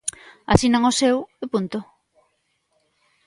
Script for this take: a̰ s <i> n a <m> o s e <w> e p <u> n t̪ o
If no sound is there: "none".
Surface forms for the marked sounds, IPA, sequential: i, ŋ, w, u

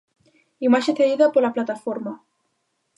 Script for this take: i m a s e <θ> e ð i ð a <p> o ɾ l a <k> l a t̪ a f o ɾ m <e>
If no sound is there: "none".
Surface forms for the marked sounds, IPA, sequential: θ, p, p, a

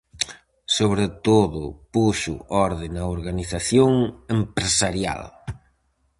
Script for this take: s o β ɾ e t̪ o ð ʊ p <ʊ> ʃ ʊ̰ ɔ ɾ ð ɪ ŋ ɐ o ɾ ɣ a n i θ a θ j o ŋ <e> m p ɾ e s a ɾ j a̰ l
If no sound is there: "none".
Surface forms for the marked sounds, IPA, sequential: u, e

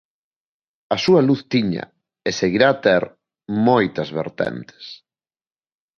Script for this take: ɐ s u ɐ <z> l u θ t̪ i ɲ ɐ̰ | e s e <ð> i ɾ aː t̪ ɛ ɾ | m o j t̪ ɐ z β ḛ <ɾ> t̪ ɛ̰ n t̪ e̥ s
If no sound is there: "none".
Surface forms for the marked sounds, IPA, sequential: none, ɣ, ɾ

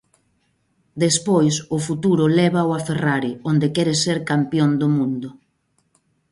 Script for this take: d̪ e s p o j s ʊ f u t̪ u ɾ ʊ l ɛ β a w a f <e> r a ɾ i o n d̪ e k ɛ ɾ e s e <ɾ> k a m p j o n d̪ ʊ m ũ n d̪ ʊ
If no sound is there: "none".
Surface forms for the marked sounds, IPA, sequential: e, ɾ

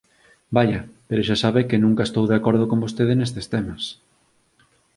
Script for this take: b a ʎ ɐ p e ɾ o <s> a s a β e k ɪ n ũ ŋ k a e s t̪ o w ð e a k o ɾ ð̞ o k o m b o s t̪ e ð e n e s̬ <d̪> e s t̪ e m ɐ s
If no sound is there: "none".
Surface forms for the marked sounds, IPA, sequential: ʃ, t̪

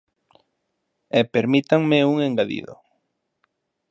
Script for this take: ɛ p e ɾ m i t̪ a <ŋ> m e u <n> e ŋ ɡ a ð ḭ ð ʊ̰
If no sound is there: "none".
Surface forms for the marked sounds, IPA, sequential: ŋ, ŋ

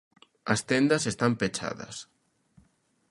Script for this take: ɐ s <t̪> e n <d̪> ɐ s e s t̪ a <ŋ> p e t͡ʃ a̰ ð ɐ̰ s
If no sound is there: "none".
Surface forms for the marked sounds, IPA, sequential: t̪, d̪, m

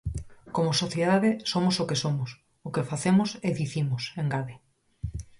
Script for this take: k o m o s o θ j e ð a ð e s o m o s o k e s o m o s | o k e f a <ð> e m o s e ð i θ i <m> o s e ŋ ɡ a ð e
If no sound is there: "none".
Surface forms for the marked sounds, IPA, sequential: θ, m

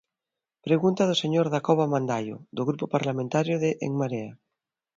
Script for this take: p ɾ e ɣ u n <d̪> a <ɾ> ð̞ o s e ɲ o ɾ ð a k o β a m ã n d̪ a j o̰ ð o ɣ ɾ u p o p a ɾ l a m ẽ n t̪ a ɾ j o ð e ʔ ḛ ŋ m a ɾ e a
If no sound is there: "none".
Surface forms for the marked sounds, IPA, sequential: t̪, none

